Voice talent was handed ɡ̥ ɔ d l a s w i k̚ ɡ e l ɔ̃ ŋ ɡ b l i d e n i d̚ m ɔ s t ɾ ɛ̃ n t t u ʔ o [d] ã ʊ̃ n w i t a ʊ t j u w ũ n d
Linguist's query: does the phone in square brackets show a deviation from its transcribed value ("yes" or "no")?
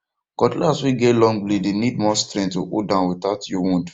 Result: no